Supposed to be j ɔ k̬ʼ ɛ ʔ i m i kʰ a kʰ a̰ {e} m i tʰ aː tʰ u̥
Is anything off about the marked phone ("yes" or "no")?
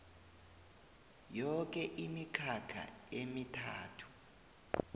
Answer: no